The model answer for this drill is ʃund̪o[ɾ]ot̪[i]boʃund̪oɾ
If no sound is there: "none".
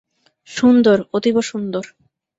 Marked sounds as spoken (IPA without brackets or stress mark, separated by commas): ɾ, i